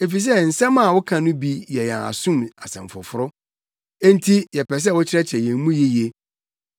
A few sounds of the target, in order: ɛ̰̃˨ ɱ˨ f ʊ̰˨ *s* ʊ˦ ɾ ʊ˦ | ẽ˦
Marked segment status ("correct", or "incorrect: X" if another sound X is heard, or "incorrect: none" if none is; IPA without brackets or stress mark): incorrect: f